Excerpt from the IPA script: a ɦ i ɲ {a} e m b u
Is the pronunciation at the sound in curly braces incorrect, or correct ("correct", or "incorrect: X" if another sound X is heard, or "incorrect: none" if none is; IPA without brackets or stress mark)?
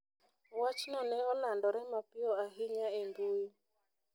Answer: correct